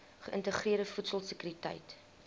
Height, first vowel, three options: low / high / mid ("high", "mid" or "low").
mid